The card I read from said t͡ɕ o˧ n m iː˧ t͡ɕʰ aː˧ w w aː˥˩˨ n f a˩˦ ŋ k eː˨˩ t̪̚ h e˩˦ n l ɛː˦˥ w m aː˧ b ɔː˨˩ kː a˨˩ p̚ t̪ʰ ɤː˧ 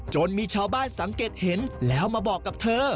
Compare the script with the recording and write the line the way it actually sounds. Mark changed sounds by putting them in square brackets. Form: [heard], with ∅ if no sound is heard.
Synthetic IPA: t͡ɕ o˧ n m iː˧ t͡ɕʰ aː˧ w [b] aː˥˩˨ n [s] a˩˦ ŋ k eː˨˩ t̪̚ h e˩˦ n l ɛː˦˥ w m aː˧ b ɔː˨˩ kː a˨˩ p̚ t̪ʰ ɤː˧